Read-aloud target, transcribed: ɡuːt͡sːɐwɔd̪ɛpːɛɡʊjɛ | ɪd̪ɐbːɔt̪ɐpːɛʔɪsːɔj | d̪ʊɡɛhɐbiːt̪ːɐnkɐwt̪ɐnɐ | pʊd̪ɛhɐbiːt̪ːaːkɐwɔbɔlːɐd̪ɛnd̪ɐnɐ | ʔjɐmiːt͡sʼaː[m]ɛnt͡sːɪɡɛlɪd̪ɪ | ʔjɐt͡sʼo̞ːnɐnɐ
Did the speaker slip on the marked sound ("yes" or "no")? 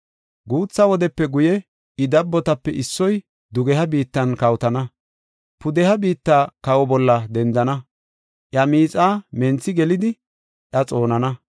no